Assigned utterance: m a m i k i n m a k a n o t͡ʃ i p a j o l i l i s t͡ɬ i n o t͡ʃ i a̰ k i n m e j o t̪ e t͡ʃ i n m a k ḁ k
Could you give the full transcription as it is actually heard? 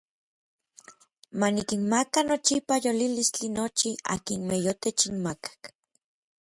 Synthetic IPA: m a n i k i n m a k a n o t͡ʃ i p a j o l i l i s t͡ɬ i n o t͡ʃ i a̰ k i n m e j o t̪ e t͡ʃ i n m a k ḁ k